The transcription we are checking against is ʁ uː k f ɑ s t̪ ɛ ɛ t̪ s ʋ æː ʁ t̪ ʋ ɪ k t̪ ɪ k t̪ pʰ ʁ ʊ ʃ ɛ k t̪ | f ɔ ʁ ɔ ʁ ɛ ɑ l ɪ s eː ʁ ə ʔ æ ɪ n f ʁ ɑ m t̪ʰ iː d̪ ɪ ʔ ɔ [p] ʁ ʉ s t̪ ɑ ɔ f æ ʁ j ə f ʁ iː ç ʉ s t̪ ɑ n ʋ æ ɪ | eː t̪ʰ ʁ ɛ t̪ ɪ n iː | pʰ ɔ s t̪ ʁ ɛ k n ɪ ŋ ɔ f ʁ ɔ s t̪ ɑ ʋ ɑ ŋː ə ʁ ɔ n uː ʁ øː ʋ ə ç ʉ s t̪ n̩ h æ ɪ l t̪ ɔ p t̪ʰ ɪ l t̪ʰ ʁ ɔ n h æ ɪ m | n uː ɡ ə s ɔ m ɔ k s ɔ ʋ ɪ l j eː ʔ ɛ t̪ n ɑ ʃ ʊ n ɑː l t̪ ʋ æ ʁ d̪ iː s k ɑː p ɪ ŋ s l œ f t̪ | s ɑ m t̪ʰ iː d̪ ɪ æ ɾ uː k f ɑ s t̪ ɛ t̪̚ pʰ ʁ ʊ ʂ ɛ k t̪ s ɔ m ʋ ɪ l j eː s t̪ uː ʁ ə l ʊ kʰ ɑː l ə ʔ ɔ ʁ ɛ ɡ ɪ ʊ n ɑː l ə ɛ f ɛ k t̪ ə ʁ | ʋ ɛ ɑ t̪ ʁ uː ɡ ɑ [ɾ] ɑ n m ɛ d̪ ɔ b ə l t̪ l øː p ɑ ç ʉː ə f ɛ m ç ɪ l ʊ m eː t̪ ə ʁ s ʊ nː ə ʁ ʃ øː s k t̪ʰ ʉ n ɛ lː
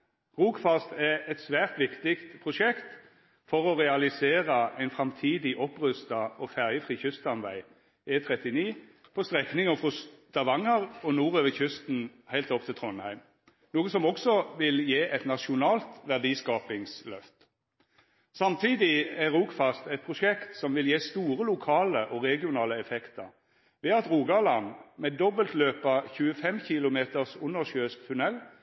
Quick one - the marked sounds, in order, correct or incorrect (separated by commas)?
correct, incorrect